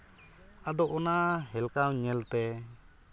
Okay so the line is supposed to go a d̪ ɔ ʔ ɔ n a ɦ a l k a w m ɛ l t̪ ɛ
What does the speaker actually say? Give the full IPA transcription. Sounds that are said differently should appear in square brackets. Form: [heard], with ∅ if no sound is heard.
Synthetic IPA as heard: a d̪ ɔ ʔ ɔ n a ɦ [ɛ] l k a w [ɲ] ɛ l t̪ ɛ